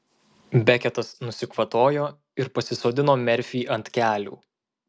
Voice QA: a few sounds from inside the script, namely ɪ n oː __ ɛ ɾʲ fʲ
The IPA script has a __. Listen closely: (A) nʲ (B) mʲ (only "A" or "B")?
B